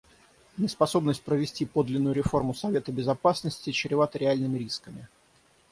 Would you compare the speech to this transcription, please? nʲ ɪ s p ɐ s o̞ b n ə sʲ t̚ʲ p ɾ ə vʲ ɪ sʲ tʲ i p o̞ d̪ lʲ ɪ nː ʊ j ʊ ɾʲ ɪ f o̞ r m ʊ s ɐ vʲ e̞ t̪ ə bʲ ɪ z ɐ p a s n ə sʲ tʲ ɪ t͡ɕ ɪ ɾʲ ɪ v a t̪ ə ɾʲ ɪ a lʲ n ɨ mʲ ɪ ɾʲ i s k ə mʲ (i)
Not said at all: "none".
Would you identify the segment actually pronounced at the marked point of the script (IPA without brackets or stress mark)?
ɪ